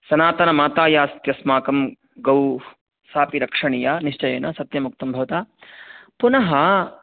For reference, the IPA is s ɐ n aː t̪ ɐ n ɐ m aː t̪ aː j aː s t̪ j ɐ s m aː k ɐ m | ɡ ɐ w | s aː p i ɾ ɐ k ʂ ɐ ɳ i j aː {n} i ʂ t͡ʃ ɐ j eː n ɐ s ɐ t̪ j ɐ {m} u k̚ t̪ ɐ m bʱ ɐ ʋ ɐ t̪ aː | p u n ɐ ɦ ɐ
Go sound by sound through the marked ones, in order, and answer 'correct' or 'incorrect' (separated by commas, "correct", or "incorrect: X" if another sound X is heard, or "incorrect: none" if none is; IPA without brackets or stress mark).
correct, correct